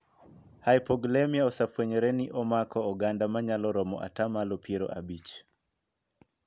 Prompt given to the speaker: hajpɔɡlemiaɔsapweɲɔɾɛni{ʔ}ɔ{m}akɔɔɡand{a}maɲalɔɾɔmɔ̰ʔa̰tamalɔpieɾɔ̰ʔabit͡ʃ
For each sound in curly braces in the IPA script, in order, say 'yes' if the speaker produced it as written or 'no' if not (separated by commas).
yes, yes, yes